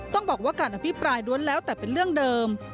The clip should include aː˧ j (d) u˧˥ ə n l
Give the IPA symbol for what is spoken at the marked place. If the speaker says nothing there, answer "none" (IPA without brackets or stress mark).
d